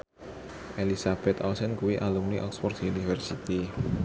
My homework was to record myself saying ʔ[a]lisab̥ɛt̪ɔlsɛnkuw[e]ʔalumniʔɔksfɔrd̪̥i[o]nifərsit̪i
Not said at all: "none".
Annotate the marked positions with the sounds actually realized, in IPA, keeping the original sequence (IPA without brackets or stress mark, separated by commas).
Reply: e, i, u